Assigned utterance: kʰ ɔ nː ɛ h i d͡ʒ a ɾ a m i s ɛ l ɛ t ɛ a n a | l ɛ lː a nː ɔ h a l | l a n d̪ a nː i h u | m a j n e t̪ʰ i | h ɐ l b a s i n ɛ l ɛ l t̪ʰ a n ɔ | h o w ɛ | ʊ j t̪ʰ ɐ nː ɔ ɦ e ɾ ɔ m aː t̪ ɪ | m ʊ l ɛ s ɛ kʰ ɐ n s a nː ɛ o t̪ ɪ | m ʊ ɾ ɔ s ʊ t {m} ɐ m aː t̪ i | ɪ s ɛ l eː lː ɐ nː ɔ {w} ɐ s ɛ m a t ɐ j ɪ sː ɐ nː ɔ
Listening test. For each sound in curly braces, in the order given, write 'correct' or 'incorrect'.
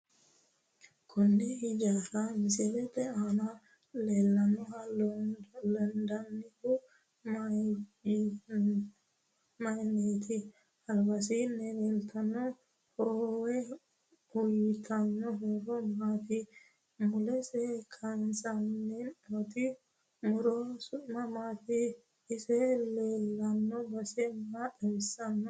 correct, incorrect: b

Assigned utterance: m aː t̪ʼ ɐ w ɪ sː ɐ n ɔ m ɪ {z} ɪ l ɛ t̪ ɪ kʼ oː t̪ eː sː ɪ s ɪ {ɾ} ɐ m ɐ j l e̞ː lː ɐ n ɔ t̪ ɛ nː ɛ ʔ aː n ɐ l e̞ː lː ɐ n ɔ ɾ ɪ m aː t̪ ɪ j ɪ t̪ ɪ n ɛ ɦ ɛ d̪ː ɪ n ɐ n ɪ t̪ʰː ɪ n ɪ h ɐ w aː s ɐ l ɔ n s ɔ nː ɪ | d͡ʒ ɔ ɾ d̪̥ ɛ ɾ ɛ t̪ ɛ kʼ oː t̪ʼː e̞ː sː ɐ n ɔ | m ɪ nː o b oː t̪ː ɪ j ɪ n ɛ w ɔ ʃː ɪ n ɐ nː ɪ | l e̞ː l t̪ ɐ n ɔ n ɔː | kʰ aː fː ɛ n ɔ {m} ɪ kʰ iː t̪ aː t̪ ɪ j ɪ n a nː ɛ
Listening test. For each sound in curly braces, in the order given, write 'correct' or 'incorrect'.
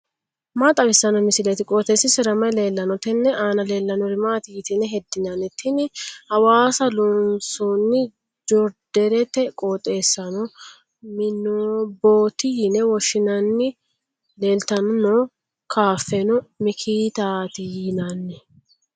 incorrect: s, correct, correct

